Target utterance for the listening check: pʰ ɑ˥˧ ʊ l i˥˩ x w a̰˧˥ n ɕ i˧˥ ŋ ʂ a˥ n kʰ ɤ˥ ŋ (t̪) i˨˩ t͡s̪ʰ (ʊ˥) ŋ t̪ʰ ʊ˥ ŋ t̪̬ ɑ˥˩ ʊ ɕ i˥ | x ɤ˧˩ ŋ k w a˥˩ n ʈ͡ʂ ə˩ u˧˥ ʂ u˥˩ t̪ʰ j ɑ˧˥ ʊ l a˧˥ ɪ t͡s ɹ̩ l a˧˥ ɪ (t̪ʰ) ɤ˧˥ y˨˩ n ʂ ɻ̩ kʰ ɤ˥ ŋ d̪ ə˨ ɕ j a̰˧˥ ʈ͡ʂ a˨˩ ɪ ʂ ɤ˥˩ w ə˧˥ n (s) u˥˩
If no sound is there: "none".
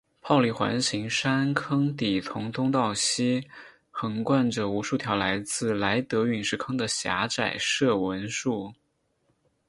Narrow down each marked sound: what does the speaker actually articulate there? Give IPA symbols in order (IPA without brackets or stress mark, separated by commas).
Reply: t̪, ʊ˧˥, t̪, ʂ